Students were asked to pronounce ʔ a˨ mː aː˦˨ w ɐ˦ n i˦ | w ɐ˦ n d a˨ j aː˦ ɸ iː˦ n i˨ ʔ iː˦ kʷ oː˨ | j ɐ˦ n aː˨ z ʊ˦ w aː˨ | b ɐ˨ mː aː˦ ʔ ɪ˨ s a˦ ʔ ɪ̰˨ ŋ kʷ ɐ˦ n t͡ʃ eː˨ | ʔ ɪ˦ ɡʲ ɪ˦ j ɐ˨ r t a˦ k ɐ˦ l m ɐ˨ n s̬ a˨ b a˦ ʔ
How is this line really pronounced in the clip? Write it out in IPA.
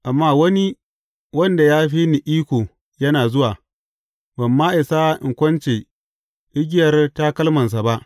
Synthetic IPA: ʔ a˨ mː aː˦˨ w ɐ˦ n i˦ | w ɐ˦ n d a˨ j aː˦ ɸ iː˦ n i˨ ʔ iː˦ kʷ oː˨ | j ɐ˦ n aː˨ z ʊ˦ w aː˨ | b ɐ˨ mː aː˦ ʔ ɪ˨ s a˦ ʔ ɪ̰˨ ŋ kʷ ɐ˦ n t͡ʃ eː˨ | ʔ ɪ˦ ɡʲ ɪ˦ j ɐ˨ r t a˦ k ɐ˦ l m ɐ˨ n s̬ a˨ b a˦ ʔ